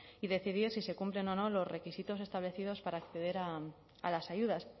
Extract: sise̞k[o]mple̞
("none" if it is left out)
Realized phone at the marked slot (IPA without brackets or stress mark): u